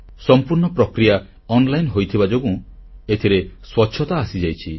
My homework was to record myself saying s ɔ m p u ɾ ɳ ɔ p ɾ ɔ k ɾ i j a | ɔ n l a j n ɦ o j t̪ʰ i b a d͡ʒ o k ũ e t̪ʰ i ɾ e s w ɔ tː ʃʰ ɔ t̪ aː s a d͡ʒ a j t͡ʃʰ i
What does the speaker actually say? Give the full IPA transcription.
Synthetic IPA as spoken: s ɔ m p u ɾ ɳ ɔ p ɾ ɔ k ɾ i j a | ɔ n l a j n ɦ o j t̪ʰ i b a d͡ʒ o ɡ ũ e t̪ʰ i ɾ e s w ɔ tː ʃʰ ɔ t̪ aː s i d͡ʒ a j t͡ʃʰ i